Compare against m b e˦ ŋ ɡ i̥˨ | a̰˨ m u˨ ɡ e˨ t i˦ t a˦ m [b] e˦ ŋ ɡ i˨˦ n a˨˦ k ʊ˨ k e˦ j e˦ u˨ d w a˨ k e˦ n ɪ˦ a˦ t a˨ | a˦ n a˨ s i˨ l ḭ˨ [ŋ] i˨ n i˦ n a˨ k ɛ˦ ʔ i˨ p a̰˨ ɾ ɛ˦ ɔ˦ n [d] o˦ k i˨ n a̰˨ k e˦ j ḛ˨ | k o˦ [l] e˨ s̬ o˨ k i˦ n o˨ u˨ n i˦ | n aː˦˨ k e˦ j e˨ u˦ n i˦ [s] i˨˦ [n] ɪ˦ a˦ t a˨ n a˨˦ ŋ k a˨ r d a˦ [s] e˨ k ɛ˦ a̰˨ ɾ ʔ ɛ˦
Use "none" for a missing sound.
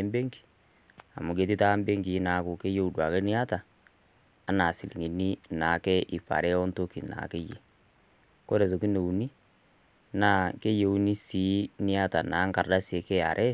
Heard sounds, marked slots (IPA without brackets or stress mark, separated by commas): b, ŋ, t, ɾ, s, n, s